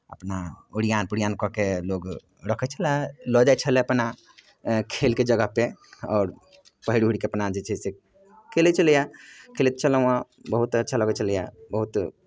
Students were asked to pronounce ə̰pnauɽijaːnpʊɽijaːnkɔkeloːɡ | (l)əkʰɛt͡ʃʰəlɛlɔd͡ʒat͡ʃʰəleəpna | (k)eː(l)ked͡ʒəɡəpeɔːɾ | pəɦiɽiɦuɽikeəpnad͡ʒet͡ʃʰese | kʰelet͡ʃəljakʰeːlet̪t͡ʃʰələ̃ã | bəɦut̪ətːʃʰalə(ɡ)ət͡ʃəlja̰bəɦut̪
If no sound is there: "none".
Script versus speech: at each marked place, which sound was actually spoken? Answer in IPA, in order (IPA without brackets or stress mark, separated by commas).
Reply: ɾ, kʰ, l, ɡ